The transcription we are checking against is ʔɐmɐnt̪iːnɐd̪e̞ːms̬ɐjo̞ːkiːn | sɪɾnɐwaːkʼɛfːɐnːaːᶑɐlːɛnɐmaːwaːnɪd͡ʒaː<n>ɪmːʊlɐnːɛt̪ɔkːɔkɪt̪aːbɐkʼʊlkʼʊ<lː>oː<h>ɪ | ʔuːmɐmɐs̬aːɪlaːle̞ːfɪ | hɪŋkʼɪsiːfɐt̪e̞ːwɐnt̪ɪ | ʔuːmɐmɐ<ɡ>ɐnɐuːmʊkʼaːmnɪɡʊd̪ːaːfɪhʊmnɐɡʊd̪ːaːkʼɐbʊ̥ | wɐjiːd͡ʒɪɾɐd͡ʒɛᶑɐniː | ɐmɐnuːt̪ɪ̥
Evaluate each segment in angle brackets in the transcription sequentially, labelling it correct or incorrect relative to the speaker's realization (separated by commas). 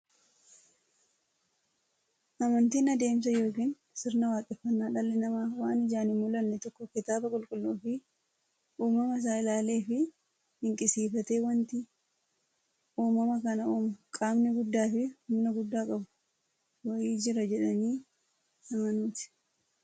correct, correct, incorrect, incorrect